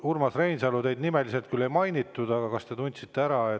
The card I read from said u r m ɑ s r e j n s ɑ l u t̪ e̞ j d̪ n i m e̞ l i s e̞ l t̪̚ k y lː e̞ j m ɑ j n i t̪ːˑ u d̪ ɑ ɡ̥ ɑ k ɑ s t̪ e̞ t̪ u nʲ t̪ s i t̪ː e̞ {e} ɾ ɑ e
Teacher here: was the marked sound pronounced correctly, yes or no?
no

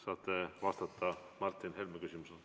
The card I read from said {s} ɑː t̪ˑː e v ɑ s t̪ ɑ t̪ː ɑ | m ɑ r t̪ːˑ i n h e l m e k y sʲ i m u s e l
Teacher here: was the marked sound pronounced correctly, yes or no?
yes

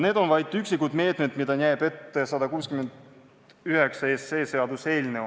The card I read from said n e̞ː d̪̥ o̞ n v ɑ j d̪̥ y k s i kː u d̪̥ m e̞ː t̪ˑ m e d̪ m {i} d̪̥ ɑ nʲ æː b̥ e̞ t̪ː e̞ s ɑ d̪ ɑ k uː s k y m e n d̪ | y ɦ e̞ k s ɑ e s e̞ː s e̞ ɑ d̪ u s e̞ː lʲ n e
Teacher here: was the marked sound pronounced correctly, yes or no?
yes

